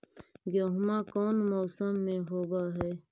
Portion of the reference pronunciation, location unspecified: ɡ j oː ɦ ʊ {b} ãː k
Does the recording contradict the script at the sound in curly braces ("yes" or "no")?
yes